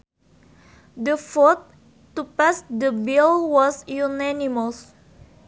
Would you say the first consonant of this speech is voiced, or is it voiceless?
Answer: voiced